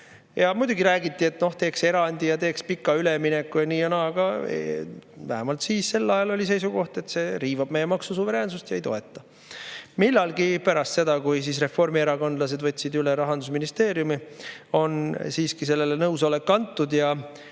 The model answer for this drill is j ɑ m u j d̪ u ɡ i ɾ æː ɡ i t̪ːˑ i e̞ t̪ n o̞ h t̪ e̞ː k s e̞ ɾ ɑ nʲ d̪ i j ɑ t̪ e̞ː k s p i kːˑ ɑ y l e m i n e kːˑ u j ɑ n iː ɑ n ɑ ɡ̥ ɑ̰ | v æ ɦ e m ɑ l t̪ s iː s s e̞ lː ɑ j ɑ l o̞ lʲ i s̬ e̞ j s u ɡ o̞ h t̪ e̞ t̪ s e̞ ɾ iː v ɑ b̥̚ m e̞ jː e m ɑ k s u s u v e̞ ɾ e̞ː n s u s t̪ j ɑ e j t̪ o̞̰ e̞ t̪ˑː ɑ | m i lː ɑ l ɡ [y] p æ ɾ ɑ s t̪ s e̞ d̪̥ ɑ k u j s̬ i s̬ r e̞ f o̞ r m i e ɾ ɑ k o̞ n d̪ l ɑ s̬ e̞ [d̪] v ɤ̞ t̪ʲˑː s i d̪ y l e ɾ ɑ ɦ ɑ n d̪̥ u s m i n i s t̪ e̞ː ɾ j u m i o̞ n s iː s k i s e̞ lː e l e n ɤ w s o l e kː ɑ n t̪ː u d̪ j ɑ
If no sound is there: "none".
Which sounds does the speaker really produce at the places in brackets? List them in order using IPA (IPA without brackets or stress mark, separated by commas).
i, d̪